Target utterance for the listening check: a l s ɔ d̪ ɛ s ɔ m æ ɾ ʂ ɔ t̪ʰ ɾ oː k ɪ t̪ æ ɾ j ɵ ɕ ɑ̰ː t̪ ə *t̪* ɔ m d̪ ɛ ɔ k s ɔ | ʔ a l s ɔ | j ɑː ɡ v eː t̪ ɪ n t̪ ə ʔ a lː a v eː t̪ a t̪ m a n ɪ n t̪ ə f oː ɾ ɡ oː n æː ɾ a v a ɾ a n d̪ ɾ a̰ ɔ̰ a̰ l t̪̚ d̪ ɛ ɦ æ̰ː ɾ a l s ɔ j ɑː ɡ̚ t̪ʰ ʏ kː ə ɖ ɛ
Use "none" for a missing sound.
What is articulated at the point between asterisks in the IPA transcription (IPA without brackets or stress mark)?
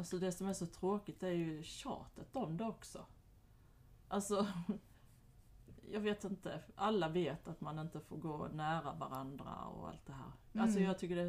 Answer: t̪